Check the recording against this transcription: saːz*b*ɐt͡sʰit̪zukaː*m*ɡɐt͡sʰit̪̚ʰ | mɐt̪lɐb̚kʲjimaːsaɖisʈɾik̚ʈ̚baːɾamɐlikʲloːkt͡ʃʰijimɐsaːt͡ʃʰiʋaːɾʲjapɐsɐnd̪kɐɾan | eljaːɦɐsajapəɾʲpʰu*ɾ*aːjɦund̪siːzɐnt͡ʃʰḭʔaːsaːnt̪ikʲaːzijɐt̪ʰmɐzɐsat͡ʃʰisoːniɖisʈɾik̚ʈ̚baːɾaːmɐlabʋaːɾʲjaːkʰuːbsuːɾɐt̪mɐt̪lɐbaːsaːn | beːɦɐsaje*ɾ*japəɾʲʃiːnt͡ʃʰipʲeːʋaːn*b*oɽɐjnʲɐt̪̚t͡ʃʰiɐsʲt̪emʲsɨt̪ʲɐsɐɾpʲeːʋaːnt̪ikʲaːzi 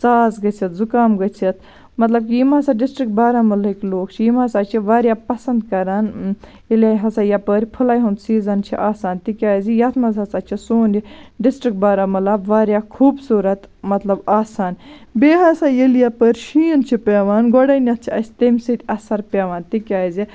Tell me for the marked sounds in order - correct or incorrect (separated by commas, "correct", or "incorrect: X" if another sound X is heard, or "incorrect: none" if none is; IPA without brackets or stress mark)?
incorrect: ɡ, correct, incorrect: l, incorrect: l, incorrect: ɡ